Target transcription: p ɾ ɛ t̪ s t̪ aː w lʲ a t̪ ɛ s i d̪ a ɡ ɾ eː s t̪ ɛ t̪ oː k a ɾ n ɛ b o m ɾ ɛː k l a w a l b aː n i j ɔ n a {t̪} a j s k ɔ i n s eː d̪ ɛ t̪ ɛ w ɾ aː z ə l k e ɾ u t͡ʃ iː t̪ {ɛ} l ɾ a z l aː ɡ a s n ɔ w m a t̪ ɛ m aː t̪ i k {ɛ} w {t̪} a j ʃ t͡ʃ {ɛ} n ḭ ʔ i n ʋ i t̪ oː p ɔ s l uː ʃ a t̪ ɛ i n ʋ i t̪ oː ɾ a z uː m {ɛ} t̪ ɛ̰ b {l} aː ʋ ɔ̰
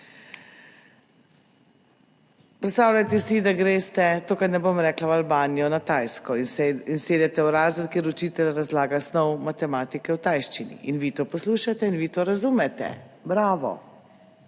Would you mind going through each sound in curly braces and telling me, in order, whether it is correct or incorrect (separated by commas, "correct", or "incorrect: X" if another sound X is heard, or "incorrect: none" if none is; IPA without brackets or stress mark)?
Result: correct, correct, correct, correct, incorrect: i, correct, incorrect: ɾ